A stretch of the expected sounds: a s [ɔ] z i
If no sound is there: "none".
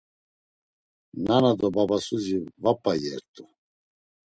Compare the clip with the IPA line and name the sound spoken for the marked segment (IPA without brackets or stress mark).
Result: u